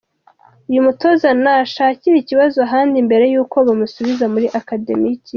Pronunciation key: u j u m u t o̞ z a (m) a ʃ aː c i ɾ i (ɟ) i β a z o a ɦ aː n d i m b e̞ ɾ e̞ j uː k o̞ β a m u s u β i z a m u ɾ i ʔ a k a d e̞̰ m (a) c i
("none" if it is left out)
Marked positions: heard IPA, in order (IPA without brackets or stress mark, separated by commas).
n, c, i